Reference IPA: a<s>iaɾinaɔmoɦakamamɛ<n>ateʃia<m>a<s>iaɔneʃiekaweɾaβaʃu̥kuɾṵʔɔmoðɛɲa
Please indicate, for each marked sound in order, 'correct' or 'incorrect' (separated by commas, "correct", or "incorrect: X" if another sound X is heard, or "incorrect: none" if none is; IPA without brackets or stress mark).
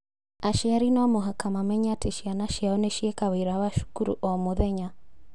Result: incorrect: ʃ, incorrect: ɲ, incorrect: n, incorrect: ʃ